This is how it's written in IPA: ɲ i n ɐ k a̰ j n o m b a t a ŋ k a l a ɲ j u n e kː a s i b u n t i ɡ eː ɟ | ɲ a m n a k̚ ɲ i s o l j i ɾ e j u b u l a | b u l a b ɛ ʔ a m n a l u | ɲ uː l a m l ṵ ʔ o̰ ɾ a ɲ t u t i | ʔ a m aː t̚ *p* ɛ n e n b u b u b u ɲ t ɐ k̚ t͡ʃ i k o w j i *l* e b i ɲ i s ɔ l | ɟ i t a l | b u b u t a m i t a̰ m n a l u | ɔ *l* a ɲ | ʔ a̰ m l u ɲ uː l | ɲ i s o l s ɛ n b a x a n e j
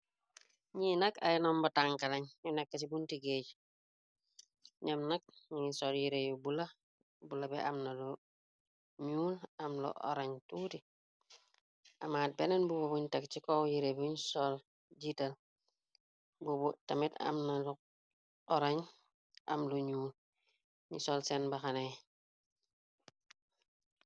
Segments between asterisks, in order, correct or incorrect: incorrect: b, incorrect: ɾ, incorrect: ɾ

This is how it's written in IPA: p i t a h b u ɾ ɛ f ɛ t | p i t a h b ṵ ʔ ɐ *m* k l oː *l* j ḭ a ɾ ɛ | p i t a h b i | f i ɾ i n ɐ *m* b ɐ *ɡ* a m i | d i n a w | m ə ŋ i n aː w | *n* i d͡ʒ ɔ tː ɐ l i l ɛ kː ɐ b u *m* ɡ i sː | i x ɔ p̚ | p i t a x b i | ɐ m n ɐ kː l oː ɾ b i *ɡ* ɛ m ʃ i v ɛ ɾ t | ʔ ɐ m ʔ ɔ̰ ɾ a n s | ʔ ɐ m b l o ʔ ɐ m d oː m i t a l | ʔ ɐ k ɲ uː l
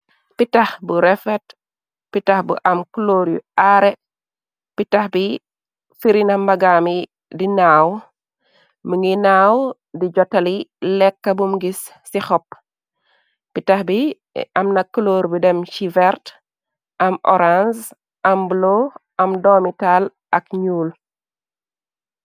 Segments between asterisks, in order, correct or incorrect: correct, incorrect: ɾ, correct, correct, incorrect: d, correct, incorrect: d

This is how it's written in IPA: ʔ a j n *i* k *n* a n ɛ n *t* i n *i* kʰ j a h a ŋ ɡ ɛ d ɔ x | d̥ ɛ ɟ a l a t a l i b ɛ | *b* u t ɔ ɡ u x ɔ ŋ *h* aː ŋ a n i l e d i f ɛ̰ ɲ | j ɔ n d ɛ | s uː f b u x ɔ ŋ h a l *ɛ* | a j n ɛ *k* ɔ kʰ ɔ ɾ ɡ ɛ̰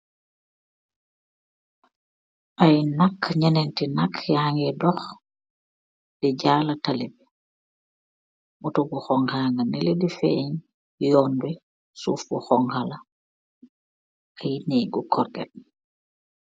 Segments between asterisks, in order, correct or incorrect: incorrect: a, incorrect: ɲ, correct, incorrect: a, incorrect: m, correct, incorrect: a, incorrect: ɡ

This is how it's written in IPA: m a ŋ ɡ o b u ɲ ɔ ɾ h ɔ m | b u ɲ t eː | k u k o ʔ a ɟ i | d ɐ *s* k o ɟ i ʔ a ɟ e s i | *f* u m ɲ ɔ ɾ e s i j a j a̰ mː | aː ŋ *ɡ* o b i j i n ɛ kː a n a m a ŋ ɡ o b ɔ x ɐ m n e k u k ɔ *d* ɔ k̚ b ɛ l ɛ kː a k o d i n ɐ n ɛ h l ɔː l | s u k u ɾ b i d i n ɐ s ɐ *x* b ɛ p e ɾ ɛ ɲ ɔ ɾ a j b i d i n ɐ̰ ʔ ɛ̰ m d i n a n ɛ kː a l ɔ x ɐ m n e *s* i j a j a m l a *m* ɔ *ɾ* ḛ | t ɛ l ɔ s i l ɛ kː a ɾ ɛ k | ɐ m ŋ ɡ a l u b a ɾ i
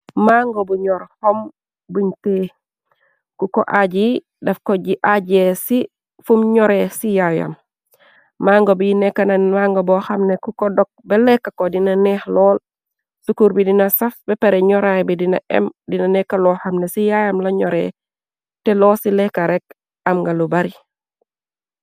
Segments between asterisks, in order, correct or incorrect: incorrect: f, correct, correct, correct, incorrect: f, correct, incorrect: ɲ, correct

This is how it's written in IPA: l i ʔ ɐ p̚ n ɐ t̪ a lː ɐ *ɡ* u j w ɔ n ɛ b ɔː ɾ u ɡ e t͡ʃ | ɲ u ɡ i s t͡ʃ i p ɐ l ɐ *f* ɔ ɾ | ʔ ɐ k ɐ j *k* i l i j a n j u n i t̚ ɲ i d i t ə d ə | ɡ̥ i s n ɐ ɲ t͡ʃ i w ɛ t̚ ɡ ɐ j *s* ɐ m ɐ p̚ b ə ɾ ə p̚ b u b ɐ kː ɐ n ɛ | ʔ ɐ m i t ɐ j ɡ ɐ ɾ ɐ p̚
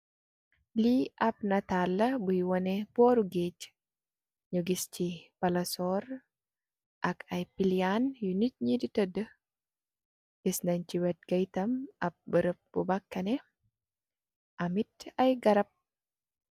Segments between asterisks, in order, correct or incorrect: incorrect: b, incorrect: s, incorrect: p, incorrect: t

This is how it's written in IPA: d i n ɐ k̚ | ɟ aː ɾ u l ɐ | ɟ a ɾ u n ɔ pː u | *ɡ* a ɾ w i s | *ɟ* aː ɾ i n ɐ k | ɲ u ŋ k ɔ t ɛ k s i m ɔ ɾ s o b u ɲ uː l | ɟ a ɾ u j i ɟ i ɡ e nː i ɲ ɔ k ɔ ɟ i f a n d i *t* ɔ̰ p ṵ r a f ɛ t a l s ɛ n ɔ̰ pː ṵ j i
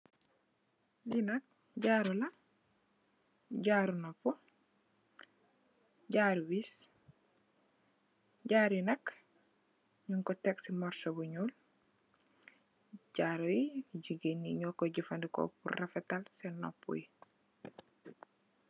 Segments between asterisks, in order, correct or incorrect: incorrect: ɟ, correct, incorrect: k

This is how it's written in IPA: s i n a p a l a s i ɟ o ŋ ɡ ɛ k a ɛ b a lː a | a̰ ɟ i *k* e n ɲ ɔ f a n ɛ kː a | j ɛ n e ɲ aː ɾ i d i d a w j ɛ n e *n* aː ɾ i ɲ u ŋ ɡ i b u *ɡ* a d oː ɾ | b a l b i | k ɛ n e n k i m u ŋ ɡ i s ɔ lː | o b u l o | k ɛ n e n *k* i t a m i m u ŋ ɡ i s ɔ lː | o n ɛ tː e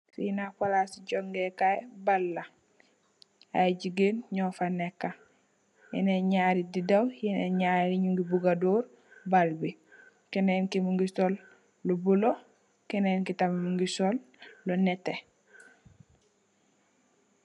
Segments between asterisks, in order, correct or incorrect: incorrect: ɡ, incorrect: ɲ, correct, correct

